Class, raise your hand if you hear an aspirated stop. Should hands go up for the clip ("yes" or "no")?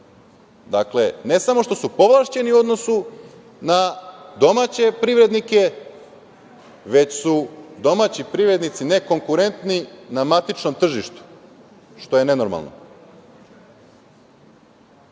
no